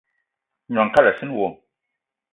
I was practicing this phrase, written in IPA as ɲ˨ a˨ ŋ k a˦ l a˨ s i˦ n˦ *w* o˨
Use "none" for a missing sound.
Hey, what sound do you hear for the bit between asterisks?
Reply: w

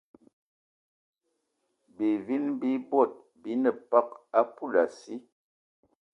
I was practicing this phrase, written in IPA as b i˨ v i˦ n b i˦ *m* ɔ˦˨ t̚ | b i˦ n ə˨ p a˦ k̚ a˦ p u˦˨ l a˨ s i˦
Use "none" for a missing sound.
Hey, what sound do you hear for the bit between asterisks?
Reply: b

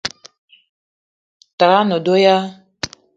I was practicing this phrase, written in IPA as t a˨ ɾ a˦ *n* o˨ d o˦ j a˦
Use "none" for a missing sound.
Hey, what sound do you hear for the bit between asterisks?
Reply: n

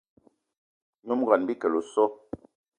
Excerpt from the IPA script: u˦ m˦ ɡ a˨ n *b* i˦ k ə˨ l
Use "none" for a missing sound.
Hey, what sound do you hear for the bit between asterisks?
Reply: b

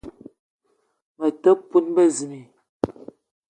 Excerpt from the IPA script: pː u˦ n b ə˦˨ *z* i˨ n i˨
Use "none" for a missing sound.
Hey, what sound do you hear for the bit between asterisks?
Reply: z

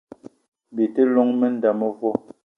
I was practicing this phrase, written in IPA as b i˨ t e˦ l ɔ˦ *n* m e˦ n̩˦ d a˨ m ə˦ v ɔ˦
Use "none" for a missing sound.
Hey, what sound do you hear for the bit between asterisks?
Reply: ŋ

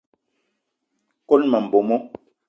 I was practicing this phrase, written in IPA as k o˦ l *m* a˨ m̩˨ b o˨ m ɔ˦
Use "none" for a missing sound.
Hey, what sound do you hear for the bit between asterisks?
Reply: m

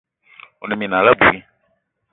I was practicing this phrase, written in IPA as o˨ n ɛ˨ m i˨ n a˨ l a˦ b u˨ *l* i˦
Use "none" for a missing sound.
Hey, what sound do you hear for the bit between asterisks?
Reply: none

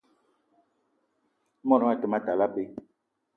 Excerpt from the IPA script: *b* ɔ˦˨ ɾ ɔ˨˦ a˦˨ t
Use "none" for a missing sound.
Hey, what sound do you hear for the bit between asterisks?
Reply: m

